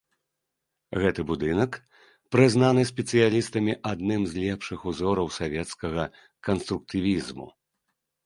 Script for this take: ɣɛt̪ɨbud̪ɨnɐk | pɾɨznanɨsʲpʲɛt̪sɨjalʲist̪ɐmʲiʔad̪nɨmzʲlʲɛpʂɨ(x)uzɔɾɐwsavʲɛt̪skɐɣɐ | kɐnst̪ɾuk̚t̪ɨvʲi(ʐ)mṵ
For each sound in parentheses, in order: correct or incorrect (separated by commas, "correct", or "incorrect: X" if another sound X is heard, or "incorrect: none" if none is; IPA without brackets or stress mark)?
correct, incorrect: z